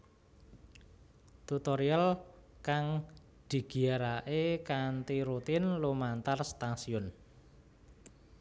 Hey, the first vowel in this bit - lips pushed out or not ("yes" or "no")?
yes